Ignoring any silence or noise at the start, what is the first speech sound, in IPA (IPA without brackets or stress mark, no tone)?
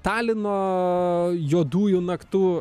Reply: t̪